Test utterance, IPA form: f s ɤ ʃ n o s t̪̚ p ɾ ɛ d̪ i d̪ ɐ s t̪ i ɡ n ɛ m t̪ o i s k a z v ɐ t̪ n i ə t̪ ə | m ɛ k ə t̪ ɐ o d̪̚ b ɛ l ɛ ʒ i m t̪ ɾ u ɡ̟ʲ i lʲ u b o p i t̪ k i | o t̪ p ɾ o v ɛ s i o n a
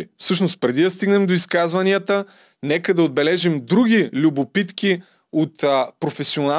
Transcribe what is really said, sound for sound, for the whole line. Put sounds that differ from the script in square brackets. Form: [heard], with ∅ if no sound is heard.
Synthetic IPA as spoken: f s ɤ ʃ n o s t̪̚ p ɾ ɛ d̪ i d̪ ɐ s t̪ i ɡ n ɛ m [d̪] o i s k a z v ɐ [∅] n i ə t̪ ə | [n] ɛ k ə [d̪] ɐ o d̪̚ b ɛ l ɛ ʒ i m [d̪] ɾ u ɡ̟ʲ i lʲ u b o p i t̪ k i | o t̪ p ɾ o [f] ɛ s i o n a